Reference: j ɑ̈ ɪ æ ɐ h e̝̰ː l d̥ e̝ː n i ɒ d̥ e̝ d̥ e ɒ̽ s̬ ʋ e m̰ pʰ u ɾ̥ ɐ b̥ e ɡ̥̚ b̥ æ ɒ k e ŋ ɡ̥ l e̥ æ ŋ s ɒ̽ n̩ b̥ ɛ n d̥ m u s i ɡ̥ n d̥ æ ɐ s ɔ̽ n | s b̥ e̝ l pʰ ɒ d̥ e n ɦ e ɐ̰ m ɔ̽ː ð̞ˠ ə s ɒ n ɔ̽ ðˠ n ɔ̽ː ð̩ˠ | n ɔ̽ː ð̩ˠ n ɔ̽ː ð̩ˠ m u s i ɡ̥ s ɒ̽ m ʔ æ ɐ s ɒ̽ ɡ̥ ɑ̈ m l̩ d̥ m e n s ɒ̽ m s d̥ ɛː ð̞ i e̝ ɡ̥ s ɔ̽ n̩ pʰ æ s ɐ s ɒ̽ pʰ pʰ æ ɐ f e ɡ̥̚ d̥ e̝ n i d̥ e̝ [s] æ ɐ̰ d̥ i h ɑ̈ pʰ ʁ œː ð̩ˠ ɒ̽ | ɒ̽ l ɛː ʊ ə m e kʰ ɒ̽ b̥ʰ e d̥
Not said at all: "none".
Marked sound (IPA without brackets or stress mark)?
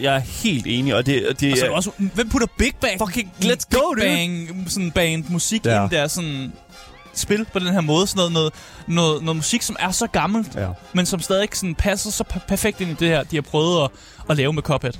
h